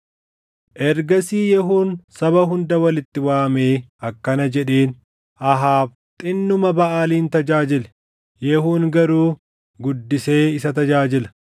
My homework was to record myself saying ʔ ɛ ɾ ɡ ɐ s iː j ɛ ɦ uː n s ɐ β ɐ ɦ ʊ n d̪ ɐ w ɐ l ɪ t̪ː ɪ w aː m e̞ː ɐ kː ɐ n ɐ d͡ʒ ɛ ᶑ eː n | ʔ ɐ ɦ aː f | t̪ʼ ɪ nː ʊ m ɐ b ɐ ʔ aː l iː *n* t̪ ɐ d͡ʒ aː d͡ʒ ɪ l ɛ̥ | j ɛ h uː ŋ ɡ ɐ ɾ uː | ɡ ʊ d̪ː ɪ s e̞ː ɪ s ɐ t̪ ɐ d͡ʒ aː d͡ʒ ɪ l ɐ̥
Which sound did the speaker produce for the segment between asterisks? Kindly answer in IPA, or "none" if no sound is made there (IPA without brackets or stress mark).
n